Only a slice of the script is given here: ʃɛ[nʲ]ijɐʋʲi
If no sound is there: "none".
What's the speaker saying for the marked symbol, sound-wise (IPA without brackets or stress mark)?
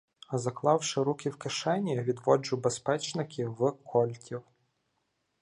nʲ